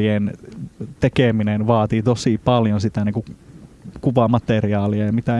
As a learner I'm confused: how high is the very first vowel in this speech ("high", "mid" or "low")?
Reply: high